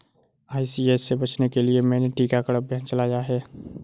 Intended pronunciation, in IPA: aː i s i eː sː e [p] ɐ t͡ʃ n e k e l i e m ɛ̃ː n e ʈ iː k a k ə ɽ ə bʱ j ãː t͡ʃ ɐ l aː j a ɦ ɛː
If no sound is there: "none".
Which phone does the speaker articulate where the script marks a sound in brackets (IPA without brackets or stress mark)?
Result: b